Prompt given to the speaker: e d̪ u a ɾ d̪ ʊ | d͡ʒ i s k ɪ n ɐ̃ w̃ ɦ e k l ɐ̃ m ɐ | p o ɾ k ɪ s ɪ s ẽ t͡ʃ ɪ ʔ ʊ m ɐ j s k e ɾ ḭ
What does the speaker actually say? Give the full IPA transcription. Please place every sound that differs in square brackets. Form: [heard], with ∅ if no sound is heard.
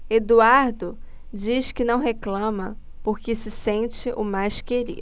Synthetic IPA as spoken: e d̪ u a ɾ d̪ ʊ | d͡ʒ i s k ɪ n ɐ̃ w̃ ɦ e k l ɐ̃ m ɐ | p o ɾ k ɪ s ɪ s ẽ t͡ʃ ɪ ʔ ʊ m [a] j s k e ɾ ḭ